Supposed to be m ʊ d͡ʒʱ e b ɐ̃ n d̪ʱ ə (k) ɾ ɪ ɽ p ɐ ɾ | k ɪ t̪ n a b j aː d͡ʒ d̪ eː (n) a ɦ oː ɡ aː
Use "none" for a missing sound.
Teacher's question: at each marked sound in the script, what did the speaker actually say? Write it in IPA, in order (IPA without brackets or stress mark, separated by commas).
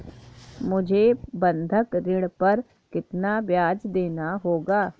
k, n